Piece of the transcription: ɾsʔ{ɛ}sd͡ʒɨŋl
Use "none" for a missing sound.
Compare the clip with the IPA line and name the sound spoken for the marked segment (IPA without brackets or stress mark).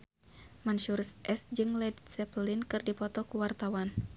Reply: ɛ